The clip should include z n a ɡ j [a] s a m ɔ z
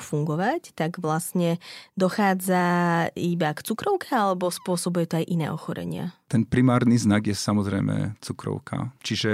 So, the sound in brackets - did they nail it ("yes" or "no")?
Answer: no